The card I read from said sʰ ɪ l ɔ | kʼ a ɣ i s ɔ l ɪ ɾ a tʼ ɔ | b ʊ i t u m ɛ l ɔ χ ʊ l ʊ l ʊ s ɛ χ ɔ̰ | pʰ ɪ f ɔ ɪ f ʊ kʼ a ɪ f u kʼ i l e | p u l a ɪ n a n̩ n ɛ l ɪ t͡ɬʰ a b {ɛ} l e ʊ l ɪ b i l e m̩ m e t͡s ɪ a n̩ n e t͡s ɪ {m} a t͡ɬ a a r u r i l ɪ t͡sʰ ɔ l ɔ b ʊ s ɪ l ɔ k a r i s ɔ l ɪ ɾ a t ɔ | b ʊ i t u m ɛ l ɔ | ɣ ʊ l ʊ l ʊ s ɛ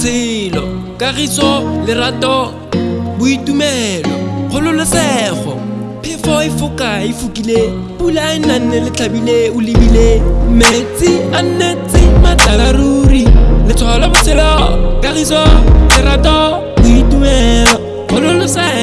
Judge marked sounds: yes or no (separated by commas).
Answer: no, yes